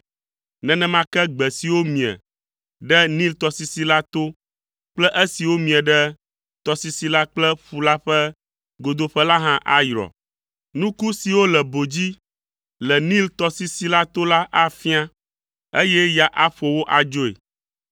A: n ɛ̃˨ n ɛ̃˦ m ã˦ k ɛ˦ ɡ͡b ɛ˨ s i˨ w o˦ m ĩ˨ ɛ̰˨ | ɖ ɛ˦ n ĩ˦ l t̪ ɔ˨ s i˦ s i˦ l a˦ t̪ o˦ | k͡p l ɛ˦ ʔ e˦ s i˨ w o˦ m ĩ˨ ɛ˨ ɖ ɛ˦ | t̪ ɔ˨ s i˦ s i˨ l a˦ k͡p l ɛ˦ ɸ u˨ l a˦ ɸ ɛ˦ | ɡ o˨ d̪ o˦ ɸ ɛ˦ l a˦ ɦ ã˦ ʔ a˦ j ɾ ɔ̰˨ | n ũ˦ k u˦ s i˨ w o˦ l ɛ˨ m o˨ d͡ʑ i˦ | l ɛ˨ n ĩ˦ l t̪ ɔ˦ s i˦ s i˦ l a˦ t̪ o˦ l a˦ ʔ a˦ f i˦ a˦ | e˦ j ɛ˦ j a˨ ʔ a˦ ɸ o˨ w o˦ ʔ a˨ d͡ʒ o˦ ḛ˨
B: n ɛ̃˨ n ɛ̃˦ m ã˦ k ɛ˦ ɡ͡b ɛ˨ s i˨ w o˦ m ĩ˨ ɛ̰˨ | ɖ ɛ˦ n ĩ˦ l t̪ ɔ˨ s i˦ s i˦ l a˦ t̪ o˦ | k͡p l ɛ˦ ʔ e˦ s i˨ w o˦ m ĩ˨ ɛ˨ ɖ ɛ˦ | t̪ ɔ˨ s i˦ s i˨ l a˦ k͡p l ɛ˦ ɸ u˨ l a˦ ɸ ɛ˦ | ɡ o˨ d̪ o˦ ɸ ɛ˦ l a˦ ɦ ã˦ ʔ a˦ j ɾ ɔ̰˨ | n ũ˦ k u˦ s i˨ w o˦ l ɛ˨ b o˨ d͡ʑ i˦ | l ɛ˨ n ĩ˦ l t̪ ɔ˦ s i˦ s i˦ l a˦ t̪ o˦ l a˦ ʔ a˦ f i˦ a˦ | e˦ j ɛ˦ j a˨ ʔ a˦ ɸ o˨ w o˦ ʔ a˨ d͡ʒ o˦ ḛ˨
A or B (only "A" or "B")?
B